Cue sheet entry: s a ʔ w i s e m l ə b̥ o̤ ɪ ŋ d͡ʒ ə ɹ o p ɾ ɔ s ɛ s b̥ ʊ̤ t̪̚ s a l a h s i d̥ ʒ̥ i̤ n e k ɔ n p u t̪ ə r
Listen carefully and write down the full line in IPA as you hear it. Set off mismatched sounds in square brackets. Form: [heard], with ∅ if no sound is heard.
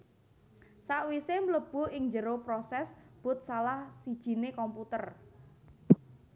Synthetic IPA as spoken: s a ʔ w i s e m l ə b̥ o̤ ɪ ŋ d͡ʒ ə [ɾ] o p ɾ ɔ s ɛ s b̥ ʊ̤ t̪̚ s a l a h s i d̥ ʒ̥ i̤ n e k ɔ [m] p u t̪ ə r